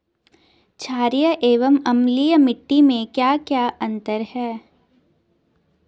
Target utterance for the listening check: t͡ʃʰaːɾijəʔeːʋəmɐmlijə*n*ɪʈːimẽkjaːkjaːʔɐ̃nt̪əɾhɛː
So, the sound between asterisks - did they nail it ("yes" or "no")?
no